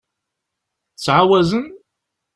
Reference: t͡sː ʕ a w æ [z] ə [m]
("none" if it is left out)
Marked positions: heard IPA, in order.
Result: z, n

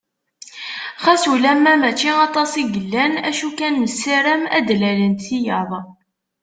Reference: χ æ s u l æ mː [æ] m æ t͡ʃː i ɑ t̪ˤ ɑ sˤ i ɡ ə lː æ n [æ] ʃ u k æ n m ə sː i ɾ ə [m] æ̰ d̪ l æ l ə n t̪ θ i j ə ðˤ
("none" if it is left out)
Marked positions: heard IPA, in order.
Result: æ, æ, m

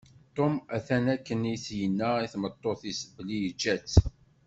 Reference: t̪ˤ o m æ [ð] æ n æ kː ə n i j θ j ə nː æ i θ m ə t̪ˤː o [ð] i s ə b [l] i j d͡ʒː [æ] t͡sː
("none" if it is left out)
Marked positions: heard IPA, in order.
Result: θ, θ, l, æ

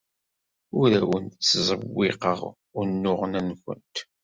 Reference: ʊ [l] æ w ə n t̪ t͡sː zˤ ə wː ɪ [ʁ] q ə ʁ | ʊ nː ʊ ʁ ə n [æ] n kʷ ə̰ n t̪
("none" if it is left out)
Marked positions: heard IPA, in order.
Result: ɾ, none, æ

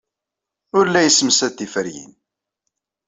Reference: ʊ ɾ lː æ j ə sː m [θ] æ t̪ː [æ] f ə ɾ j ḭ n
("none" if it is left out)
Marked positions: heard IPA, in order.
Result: s, i

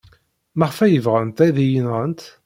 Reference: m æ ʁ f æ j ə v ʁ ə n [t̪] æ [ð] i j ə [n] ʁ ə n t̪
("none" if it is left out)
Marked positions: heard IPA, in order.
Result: t̪, ð, n

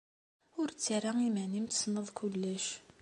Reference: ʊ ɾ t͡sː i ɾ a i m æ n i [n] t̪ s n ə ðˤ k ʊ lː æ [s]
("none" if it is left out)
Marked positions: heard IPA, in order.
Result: m, ʃ

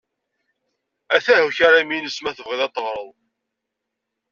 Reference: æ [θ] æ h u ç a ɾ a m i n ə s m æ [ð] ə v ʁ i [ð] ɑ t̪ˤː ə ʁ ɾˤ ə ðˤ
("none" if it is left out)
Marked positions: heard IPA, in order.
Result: θ, θ, ð

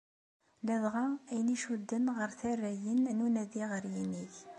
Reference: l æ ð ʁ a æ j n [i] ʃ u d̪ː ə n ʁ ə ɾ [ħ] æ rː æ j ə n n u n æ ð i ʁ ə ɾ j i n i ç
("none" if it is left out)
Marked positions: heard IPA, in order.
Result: i, θ

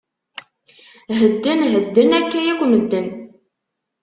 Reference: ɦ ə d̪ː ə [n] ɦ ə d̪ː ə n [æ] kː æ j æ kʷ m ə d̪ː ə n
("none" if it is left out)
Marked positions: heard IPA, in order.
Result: n, æ

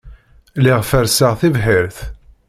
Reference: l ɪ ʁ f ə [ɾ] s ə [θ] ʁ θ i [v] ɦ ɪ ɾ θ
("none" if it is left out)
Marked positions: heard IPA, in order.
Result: ɾ, none, v

